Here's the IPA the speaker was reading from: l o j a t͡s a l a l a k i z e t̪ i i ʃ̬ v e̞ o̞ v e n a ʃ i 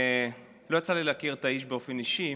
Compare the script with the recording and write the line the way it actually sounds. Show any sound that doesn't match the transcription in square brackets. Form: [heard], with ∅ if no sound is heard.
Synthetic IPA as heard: l o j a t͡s a l [i] l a k i [ʁ] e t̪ [a] i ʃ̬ [b] e̞ o̞ [f] e n [i] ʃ i